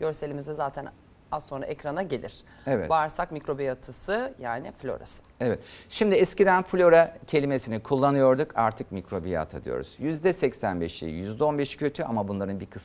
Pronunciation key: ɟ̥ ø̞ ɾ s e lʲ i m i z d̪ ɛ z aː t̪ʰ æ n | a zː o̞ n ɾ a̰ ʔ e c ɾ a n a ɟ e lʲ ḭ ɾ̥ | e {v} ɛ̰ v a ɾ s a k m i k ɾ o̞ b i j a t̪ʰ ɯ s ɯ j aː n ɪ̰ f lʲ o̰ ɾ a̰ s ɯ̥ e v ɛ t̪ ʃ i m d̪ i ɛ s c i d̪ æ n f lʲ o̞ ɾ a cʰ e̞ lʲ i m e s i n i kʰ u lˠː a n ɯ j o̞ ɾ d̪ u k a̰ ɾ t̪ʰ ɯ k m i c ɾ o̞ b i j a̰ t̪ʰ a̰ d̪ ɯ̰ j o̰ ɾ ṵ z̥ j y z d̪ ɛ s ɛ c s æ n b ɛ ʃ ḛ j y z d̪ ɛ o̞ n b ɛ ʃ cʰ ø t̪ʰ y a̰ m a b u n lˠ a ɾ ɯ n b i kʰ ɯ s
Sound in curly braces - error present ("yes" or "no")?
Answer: no